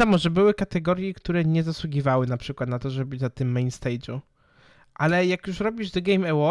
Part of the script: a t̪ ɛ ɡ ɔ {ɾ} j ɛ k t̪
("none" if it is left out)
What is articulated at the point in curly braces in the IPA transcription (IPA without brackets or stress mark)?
ɾ